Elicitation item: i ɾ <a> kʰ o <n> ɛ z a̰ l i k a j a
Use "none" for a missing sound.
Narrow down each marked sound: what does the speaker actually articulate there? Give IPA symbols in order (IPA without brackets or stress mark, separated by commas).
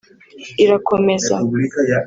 a, m